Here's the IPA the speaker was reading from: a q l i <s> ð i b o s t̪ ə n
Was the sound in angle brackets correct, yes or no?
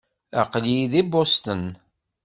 no